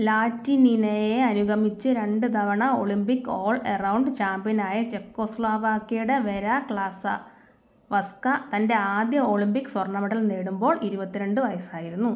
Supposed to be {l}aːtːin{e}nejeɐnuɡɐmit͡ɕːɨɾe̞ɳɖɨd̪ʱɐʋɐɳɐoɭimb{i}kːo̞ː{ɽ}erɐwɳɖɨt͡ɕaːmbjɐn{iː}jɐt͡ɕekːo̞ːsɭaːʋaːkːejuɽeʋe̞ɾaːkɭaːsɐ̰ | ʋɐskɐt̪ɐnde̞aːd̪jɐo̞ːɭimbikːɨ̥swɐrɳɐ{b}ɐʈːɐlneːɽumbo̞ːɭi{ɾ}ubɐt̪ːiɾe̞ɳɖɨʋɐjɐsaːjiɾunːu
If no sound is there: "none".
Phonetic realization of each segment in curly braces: l, i, i, ɭ, aː, m, ɾ

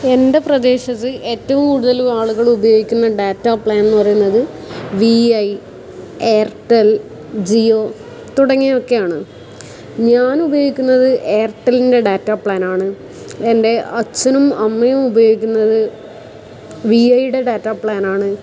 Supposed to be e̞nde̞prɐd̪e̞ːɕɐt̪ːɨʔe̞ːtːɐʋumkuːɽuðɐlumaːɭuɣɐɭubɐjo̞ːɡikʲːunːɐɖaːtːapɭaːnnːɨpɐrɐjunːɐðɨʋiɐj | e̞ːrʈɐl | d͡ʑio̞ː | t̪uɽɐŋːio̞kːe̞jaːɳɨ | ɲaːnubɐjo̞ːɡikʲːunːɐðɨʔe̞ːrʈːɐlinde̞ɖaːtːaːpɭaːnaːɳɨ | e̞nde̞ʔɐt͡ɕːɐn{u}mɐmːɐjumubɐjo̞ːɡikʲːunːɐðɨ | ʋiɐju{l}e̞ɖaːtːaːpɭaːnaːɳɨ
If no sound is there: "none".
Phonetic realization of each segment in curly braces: u, ɽ

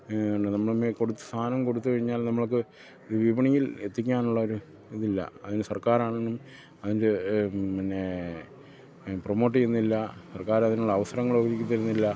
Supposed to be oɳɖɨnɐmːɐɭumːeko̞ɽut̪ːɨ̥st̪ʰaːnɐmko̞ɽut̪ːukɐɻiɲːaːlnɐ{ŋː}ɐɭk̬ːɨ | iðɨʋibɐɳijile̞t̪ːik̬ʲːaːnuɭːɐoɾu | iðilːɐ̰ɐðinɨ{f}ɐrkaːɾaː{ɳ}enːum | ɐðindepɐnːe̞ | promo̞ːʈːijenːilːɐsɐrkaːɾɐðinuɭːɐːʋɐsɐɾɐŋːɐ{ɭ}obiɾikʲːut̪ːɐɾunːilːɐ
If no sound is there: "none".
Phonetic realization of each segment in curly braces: mː, s, ɳ, ɭ

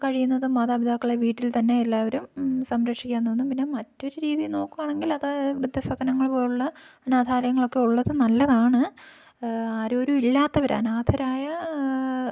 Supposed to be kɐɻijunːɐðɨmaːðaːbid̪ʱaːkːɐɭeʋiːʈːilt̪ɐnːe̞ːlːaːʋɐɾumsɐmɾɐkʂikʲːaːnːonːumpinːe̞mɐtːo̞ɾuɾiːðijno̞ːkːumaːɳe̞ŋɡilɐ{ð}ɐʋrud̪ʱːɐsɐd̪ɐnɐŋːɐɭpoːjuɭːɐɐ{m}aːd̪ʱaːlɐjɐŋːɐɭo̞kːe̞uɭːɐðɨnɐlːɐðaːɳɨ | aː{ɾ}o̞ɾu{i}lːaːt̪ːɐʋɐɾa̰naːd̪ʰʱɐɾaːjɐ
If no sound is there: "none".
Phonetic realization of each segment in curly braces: ð, n, ɾ, i

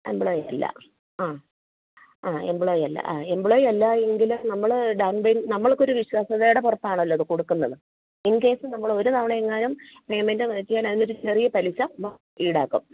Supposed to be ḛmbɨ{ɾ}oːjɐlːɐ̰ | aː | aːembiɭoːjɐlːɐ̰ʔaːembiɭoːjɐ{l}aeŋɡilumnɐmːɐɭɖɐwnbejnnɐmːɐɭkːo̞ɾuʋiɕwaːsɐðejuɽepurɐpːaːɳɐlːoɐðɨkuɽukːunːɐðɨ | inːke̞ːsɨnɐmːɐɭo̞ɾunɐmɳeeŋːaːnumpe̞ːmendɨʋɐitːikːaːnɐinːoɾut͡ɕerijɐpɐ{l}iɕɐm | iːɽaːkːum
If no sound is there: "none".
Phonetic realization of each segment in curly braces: ɭ, lː, l

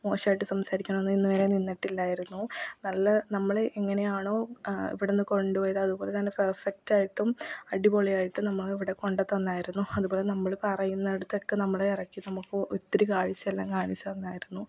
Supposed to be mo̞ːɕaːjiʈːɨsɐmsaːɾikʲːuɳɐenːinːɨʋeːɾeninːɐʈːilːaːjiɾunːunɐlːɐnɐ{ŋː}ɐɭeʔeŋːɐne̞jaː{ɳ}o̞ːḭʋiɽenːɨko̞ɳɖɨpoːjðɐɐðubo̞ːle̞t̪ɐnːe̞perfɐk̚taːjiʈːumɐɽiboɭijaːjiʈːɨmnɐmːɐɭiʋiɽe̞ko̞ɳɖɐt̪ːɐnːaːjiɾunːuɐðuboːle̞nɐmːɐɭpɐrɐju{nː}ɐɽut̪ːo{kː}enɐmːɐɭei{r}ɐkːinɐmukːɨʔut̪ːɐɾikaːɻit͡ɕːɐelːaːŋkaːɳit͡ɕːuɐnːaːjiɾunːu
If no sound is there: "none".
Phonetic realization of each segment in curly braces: mː, ɳ, nː, kː, r

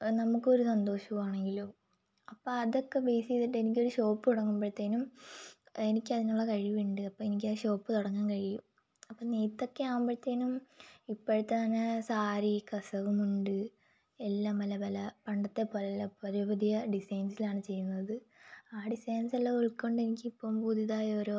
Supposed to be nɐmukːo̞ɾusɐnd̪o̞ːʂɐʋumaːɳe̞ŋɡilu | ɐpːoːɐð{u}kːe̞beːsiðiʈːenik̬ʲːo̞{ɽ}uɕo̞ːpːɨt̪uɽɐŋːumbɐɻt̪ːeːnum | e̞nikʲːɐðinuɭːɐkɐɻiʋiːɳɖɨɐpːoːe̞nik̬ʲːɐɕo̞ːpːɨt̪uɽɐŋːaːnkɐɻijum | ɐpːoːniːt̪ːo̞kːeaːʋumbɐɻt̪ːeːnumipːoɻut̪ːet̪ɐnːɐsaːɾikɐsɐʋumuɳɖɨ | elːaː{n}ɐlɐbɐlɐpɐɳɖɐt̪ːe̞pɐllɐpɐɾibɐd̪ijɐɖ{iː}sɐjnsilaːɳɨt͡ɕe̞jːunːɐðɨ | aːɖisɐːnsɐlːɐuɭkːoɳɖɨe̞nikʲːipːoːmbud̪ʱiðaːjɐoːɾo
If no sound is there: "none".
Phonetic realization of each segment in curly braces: o, ɾ, m, i

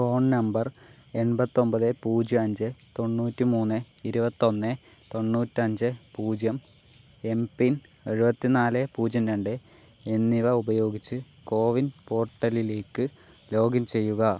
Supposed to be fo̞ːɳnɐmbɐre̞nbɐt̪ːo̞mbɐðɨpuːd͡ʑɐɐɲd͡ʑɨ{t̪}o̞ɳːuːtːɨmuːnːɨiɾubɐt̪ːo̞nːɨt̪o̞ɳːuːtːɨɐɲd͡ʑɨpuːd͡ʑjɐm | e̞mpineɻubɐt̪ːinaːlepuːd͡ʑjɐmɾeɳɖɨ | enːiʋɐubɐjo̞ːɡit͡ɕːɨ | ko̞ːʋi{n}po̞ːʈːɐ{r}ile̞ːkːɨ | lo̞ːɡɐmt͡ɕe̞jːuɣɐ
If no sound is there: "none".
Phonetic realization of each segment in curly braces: t̪, n, l

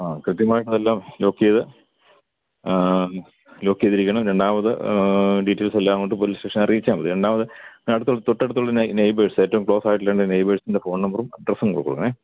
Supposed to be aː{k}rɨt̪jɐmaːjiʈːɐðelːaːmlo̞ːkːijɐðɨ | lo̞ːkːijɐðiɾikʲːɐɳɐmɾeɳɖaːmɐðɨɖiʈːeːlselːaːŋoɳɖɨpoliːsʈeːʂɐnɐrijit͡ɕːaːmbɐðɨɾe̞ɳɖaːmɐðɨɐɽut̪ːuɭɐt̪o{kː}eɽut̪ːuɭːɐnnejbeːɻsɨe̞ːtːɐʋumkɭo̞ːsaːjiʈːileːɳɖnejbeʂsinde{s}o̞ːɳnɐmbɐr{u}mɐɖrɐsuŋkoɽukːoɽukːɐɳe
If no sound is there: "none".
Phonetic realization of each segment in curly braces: k, ʈː, f, u

